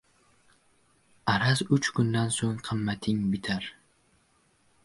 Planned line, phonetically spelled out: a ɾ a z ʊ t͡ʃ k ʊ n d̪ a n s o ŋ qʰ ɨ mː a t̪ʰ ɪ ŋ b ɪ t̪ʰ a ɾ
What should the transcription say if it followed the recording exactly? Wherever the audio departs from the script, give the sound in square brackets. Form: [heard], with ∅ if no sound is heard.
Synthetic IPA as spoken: a ɾ a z ʊ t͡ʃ k ʊ n d̪ a n s o ŋ qʰ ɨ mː a t̪ʰ ɪ ŋ b ɪ t̪ʰ a ɾ